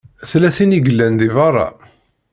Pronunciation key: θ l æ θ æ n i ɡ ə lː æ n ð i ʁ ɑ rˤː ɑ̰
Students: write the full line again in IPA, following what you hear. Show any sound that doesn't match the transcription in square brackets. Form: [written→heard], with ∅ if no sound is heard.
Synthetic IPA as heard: θ l æ θ [æ→i] n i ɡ ə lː æ n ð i [ʁ→v] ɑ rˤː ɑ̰